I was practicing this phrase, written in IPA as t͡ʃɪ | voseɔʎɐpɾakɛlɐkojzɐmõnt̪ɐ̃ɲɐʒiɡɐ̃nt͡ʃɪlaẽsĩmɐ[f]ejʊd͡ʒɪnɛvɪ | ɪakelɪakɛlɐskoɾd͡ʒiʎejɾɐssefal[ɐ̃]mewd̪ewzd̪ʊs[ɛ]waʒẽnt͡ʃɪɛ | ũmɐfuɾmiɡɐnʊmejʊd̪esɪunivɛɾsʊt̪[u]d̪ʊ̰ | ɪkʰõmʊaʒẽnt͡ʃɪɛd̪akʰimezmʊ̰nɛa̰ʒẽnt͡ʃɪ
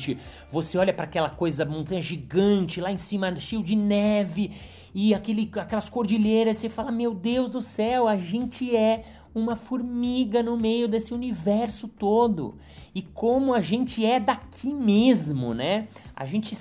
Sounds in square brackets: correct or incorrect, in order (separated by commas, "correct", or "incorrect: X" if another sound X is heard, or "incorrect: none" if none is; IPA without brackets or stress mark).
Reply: incorrect: ʃ, incorrect: ɐ, correct, incorrect: o